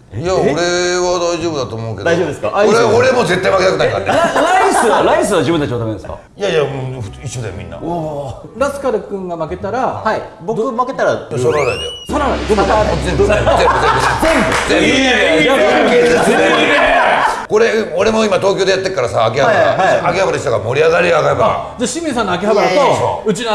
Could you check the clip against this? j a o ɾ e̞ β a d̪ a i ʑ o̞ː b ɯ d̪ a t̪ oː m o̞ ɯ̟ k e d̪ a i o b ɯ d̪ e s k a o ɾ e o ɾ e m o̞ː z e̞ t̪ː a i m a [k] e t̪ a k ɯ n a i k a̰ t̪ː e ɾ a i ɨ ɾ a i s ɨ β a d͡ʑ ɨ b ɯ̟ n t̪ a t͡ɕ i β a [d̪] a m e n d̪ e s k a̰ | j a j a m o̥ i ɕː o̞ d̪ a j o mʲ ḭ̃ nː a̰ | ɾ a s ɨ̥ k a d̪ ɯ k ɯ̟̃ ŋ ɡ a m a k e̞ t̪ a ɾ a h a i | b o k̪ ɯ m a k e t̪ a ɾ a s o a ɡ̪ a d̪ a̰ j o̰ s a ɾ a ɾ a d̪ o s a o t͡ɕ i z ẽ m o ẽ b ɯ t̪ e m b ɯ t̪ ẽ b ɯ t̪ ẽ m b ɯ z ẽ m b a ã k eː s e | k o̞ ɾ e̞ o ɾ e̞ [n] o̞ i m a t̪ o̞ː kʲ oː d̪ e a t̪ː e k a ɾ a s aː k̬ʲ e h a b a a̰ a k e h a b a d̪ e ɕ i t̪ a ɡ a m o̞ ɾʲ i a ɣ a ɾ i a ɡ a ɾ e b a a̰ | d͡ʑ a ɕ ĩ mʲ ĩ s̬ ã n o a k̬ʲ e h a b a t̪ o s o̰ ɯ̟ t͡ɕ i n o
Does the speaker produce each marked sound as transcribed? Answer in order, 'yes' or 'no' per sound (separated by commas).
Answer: yes, no, no